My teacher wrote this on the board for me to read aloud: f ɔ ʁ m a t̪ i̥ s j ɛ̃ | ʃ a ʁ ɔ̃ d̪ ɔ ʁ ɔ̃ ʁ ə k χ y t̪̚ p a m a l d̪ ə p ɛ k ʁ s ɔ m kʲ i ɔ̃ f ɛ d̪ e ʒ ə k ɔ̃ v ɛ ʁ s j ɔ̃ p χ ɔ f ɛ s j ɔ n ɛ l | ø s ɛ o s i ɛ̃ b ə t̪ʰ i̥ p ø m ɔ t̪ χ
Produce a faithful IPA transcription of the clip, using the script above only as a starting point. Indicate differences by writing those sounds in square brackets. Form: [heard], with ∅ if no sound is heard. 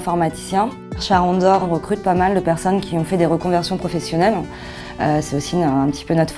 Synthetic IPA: f ɔ ʁ m a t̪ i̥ s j ɛ̃ | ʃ a ʁ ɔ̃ d̪ ɔ ʁ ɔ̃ ʁ ə k χ y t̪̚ p a m a l d̪ ə p ɛ [∅] ʁ s ɔ [n] kʲ i ɔ̃ f ɛ d̪ e [ʁ] ə k ɔ̃ v ɛ ʁ s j ɔ̃ p χ ɔ f ɛ s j ɔ n ɛ l | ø s ɛ o s i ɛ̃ [p] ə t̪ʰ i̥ p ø [n] ɔ t̪ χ